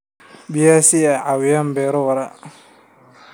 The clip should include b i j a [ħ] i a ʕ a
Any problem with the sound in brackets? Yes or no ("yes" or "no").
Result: yes